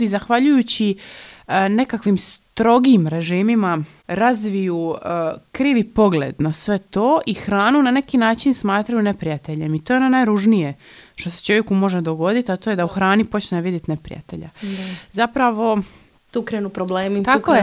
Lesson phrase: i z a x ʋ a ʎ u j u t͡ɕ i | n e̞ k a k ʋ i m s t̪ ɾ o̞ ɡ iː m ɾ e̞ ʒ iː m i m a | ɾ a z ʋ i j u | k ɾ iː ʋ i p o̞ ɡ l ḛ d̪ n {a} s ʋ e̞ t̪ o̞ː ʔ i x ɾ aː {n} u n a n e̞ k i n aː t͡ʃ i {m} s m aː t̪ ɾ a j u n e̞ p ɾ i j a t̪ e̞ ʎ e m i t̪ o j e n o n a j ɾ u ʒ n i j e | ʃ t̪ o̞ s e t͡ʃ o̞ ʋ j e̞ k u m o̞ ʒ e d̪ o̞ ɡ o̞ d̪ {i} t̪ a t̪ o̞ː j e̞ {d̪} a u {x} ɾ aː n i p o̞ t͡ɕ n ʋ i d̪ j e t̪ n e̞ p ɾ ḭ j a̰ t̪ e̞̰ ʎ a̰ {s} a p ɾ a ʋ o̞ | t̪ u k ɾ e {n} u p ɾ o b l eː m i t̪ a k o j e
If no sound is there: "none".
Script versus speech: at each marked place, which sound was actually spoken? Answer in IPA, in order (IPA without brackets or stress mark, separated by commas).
a, n, n, i, d̪, x, z, n